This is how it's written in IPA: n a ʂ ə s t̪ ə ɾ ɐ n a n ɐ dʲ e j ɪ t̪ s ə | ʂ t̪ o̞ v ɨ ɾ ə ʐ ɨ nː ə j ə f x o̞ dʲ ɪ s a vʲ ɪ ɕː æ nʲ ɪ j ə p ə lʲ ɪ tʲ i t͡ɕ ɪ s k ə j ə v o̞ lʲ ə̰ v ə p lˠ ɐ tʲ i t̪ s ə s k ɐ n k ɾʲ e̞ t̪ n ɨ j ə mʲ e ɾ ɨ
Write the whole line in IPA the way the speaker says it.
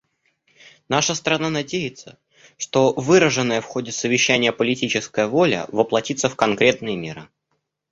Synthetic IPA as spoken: n a ʂ ə s t̪ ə ɾ ɐ n a n ɐ dʲ e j ɪ t̪ s ə | ʂ t̪ o̞ v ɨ ɾ ə ʐ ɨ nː ə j ə f x o̞ dʲ ɪ s ə vʲ ɪ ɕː æ nʲ ɪ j ə p ə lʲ ɪ tʲ i t͡ɕ ɪ s k ə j ə v o̞ lʲ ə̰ v ə p lˠ ɐ tʲ i t̪ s ə f k ɐ n k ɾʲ e̞ t̪ n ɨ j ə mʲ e ɾ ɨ